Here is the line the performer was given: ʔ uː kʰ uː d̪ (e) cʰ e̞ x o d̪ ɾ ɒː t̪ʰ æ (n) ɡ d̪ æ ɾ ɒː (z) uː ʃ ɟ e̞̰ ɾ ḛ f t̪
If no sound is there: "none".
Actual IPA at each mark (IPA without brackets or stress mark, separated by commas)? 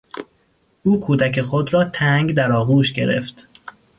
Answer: æ, ŋ, ɣ